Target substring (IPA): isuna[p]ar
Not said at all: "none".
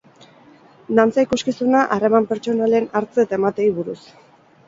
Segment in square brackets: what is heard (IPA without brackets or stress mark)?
ʔ